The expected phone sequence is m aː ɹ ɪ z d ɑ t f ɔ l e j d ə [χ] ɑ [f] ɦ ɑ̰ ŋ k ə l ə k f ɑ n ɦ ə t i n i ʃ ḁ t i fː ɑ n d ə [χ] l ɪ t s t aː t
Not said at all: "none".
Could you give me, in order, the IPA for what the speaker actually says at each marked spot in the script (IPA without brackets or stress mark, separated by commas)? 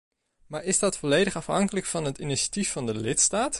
χ, f, none